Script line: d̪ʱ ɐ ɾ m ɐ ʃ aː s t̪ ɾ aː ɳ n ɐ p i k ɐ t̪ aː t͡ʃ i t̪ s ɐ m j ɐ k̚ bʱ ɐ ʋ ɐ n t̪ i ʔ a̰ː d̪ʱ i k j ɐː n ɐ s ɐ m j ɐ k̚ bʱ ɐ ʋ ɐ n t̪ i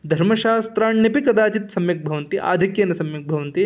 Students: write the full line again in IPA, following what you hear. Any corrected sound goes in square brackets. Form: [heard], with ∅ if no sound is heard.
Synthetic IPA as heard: d̪ʱ ɐ ɾ m ɐ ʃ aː s t̪ ɾ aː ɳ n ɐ p i k ɐ [d̪] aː t͡ʃ i t̪ s ɐ m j ɐ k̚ bʱ ɐ ʋ ɐ n t̪ i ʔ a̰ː d̪ʱ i k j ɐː n ɐ s ɐ m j ɐ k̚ bʱ ɐ ʋ ɐ n t̪ i